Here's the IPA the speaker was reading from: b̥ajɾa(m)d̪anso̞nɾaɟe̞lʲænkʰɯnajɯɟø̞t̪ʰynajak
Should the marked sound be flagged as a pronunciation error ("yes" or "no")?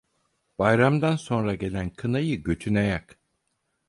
no